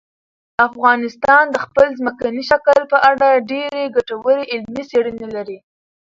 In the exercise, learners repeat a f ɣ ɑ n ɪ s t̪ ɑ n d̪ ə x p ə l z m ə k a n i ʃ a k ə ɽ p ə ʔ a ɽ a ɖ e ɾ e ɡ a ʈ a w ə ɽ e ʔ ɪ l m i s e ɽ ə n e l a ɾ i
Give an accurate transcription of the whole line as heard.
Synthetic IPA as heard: a f ɣ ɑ n ɪ s t̪ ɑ n d̪ ə x p ə l z m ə k a n i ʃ a k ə l p ə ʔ a ɽ a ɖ e ɾ e ɡ a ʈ a w ə ɾ e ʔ ɪ l m i s e ɽ ə n e l a ɾ i